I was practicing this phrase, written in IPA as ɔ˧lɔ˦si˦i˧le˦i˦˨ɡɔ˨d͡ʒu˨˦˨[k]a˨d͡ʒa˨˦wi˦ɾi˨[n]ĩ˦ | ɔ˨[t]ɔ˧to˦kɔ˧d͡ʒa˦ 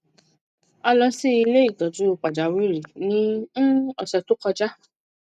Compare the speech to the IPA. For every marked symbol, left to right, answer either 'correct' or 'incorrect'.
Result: incorrect, correct, incorrect

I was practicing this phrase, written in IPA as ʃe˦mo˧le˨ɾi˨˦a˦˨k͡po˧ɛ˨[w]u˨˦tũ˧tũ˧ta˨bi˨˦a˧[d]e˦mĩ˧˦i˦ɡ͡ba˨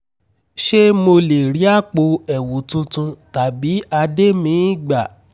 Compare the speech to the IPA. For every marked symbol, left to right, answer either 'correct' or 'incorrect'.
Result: correct, correct

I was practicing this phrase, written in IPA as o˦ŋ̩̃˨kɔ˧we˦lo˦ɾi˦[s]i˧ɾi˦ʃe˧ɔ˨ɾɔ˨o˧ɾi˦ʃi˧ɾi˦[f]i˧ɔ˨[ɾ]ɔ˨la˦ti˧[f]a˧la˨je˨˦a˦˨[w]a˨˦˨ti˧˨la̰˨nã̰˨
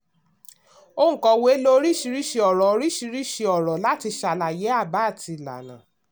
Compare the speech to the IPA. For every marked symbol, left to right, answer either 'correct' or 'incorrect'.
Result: incorrect, incorrect, correct, incorrect, incorrect

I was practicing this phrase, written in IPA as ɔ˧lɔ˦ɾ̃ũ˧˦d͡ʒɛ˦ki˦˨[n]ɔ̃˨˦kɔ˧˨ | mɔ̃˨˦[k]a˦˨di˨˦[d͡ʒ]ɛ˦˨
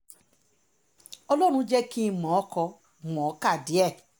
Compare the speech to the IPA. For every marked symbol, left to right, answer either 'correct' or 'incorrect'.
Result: incorrect, correct, incorrect

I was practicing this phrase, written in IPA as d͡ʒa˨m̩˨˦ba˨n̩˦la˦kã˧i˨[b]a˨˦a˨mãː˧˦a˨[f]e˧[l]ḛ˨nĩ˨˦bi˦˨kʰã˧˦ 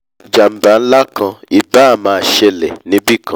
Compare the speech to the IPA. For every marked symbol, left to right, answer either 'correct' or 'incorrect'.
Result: correct, incorrect, correct

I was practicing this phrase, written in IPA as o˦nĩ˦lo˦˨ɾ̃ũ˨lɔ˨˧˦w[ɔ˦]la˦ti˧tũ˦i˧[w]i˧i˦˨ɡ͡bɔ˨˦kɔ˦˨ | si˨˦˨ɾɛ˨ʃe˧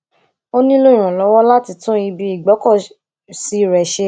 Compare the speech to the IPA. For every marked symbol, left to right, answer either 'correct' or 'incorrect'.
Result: correct, incorrect

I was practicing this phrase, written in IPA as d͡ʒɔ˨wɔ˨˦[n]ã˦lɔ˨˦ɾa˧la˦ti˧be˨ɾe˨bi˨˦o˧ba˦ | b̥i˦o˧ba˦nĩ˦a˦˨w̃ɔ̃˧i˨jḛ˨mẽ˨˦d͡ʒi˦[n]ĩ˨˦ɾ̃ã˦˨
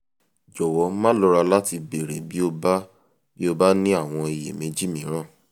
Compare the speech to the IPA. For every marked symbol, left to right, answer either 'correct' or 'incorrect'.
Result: incorrect, incorrect

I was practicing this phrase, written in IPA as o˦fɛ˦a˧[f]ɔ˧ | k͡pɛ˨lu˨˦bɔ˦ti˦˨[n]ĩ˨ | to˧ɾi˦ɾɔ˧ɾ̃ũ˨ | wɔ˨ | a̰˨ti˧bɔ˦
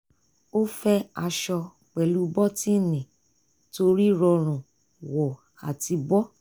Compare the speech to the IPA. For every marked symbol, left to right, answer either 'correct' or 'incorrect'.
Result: incorrect, correct

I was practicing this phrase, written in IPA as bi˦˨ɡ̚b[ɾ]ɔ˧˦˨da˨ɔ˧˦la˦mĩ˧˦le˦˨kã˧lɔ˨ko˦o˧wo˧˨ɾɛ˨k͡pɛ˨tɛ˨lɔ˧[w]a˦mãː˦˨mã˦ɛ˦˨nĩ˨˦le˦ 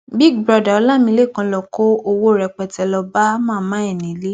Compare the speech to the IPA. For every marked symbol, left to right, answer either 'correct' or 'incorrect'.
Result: correct, incorrect

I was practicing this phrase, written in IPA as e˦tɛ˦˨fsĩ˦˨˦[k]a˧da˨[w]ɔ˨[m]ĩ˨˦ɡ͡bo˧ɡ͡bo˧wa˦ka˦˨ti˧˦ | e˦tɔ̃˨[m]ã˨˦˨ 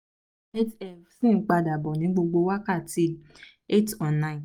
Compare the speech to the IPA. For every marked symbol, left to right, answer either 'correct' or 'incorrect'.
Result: incorrect, incorrect, incorrect, incorrect

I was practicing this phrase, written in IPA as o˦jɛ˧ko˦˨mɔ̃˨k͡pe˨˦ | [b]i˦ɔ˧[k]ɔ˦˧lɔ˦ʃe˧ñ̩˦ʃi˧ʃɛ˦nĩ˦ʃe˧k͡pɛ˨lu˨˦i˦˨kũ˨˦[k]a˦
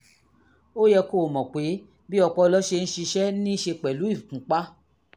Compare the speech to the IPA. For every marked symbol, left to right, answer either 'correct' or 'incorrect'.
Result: correct, incorrect, incorrect

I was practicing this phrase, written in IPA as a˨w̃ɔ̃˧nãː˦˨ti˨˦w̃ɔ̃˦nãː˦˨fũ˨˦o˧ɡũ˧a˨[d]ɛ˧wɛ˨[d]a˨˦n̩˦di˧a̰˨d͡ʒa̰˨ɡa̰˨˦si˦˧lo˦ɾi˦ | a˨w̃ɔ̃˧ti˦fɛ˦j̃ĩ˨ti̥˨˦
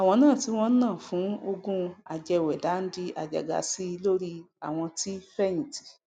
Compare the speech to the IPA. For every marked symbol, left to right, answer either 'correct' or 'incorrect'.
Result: incorrect, correct

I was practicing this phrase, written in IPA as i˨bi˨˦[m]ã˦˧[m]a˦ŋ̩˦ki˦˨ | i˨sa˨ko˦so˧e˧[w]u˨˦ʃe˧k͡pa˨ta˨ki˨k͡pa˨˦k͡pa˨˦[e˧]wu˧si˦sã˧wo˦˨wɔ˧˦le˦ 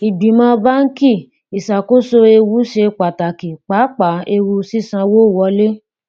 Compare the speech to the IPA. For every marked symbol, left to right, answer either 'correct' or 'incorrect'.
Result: correct, incorrect, correct, correct

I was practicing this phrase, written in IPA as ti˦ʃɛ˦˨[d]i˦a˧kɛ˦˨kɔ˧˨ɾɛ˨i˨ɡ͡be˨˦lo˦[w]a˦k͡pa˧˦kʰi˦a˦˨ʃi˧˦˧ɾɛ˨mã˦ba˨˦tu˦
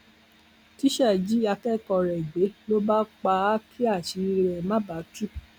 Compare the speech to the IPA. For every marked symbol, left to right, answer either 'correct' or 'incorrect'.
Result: incorrect, incorrect

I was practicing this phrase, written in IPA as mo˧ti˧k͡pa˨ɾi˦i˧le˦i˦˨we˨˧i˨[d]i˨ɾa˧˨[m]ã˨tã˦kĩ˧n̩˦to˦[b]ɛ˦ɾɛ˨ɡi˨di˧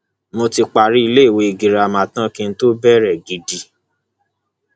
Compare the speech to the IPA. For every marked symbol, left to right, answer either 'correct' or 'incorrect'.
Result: incorrect, correct, correct

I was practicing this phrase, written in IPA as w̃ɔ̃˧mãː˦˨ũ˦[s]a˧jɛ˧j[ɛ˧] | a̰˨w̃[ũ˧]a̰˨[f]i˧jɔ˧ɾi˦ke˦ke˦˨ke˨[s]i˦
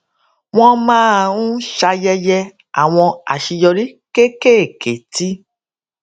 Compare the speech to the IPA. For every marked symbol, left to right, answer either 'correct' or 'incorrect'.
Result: incorrect, correct, incorrect, incorrect, incorrect

